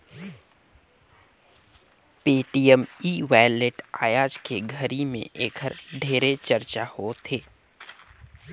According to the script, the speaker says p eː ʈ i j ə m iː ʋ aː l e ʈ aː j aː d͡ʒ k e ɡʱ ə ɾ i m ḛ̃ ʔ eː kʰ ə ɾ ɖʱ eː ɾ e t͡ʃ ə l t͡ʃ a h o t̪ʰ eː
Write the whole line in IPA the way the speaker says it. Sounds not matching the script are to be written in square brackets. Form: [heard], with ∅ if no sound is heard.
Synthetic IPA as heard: p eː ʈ i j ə m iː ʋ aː l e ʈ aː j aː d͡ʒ k e ɡʱ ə ɾ i m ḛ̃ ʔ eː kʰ ə ɾ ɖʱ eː ɾ e t͡ʃ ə [ɾ] t͡ʃ a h o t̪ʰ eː